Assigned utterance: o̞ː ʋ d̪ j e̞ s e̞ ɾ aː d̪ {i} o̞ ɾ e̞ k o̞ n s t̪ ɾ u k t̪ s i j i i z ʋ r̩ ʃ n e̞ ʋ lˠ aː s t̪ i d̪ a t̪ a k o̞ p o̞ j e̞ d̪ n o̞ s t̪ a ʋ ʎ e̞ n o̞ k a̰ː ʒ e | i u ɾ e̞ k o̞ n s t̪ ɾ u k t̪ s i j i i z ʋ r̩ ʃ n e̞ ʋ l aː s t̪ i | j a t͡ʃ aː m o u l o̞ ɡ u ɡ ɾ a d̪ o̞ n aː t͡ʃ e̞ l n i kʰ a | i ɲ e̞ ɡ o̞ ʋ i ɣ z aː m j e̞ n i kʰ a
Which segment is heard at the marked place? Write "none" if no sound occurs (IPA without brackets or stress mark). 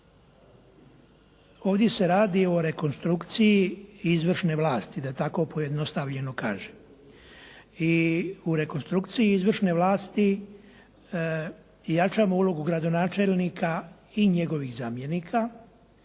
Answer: i